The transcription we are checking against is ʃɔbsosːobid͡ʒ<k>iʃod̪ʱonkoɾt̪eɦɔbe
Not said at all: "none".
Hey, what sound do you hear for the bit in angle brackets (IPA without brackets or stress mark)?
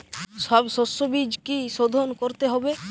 k